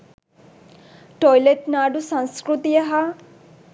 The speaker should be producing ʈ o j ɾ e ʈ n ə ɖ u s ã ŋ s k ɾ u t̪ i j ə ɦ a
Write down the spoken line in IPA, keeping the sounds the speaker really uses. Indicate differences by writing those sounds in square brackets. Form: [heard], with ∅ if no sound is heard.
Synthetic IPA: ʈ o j [l] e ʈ n [a] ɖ u s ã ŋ s k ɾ u t̪ i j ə ɦ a